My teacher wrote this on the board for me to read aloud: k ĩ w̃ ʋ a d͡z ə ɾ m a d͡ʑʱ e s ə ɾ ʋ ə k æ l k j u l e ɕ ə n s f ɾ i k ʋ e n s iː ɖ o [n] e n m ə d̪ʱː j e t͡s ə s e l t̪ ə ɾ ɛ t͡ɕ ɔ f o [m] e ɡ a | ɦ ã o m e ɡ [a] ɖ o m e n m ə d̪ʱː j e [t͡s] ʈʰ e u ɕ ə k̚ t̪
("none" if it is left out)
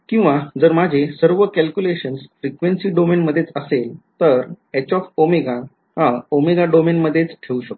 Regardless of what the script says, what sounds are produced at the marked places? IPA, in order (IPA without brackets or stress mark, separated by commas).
m, m, a, t͡s